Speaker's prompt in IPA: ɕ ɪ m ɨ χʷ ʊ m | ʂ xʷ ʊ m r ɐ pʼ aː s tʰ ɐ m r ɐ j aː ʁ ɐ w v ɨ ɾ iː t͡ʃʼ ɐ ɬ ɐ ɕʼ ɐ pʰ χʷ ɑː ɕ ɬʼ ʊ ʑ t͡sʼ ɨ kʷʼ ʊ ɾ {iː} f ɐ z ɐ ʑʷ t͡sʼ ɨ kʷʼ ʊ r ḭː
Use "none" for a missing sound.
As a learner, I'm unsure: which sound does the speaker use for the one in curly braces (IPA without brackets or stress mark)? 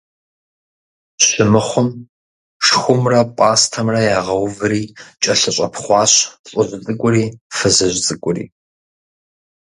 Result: iː